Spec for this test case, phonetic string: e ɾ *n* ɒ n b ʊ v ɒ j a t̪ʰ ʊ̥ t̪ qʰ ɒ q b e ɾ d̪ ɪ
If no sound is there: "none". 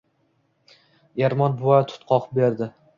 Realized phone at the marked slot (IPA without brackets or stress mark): m